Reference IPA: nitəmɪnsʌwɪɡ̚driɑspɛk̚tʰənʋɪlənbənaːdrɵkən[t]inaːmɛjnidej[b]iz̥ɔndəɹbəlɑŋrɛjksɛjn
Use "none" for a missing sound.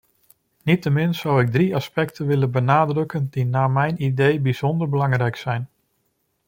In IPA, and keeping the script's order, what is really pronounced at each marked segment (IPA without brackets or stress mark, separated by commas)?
d, b